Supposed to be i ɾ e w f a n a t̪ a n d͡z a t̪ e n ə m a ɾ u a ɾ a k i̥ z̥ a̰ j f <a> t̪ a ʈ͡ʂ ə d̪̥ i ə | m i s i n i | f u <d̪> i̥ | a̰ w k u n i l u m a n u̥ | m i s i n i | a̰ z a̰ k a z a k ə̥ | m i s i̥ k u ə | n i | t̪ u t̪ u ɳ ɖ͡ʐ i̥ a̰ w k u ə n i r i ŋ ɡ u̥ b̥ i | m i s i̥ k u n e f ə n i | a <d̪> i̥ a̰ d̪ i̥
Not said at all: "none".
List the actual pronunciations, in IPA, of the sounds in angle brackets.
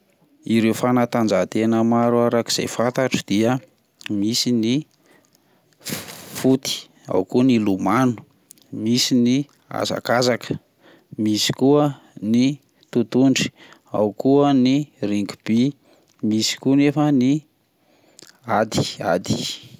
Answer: a, t̪, d̪

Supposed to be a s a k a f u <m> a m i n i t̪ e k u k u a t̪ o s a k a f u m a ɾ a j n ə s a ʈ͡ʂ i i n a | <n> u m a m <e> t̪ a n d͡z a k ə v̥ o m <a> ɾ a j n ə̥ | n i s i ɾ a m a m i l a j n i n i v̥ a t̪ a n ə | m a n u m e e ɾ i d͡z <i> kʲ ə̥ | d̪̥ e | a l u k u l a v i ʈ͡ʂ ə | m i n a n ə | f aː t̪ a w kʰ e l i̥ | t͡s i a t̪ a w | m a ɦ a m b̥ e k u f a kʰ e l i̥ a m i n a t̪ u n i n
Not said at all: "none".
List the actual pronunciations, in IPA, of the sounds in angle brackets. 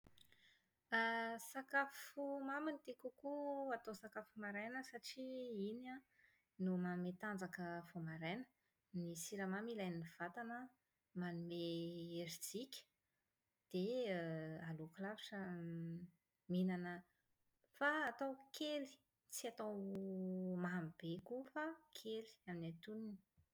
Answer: m, n, e, a, i

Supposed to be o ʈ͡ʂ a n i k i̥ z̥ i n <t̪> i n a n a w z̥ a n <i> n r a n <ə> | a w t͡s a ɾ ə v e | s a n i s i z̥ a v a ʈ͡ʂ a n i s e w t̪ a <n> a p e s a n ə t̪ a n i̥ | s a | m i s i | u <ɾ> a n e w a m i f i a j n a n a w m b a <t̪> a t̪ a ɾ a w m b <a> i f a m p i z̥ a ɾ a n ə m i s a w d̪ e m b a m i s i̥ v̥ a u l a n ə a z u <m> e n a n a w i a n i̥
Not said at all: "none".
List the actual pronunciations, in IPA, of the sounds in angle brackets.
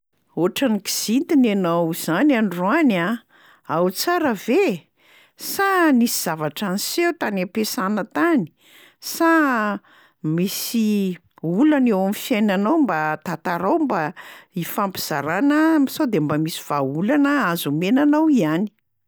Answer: t̪, a, a, n, l, t̪, a, m

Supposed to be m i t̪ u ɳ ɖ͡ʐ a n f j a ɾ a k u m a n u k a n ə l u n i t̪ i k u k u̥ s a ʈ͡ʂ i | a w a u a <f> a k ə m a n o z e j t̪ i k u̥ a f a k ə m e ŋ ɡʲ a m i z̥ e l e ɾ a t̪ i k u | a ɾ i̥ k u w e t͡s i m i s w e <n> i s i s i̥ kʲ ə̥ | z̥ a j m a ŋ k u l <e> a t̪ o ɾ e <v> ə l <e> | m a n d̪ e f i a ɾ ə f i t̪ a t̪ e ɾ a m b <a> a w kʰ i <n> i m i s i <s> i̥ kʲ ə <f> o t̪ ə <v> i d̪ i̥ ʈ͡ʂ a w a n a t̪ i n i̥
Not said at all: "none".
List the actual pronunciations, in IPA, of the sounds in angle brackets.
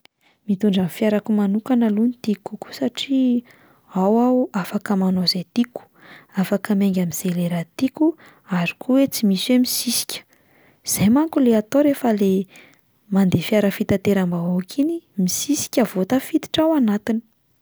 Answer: f, m, e, f, e, a, n, s, v, f

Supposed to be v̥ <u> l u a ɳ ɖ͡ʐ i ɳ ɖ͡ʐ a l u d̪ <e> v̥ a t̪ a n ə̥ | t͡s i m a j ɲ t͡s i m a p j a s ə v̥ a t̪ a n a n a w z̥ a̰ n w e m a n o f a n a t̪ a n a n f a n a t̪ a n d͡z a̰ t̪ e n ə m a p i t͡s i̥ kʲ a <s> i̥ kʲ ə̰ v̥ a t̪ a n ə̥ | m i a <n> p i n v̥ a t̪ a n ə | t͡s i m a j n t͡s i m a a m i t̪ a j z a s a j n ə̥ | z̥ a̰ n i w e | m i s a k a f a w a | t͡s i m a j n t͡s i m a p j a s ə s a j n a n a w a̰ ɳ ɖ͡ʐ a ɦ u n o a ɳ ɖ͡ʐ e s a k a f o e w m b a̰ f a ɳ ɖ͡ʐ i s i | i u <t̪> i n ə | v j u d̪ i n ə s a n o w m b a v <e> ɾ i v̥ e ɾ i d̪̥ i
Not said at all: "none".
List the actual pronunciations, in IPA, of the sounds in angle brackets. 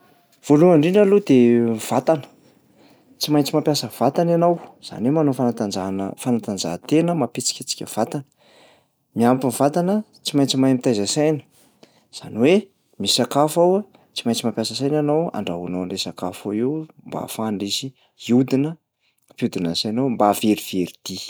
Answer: o, e, t͡s, m, d̪, e

